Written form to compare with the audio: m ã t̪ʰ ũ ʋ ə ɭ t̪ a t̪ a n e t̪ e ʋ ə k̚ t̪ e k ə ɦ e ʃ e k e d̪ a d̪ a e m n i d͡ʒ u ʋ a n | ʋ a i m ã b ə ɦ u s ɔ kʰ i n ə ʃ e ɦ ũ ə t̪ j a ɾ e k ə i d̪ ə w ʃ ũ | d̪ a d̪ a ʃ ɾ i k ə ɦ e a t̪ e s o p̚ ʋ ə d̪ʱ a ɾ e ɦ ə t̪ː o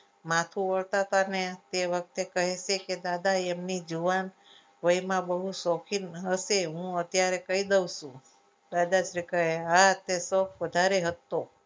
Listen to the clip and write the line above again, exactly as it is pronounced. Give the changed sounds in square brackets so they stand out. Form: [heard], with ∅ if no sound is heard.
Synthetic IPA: m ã t̪ʰ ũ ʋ ə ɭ t̪ a t̪ a n e t̪ e ʋ ə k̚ t̪ e k ə ɦ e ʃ e k e d̪ a d̪ a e m n i d͡ʒ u ʋ a n | ʋ [ə] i m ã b ə ɦ u s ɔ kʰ i n ə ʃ e ɦ ũ ə t̪ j a ɾ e k ə i d̪ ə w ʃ ũ | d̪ a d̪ a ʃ ɾ i k ə ɦ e a t̪ e s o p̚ ʋ ə d̪ʱ a ɾ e ɦ ə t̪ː o